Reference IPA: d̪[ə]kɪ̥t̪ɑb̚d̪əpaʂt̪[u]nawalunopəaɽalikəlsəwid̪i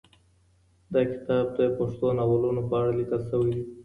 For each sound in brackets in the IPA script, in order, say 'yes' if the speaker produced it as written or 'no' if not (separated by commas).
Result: no, no